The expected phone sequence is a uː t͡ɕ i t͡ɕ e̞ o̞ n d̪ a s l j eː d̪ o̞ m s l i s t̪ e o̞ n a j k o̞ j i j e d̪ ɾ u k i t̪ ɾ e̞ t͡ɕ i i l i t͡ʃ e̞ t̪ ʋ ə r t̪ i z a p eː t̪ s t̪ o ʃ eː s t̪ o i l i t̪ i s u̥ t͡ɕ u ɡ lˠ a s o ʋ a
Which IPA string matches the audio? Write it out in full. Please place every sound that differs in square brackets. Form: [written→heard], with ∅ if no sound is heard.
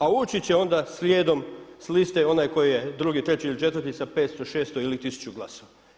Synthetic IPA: a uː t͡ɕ i t͡ɕ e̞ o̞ n d̪ a s l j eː d̪ o̞ m s l i s t̪ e o̞ n a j k o̞ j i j e d̪ ɾ u [k→ɡ] i t̪ ɾ e̞ t͡ɕ i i l i t͡ʃ e̞ t̪ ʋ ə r t̪ i [z→s] a p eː t̪ s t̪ o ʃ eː s t̪ o i l i t̪ i s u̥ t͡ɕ u ɡ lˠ a s o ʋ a